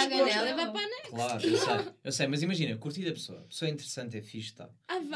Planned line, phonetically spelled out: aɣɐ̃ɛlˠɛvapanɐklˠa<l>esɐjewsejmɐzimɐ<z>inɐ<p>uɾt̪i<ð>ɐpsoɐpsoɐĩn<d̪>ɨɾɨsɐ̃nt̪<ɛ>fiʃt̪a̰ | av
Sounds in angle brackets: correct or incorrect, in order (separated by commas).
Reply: incorrect, incorrect, incorrect, correct, incorrect, correct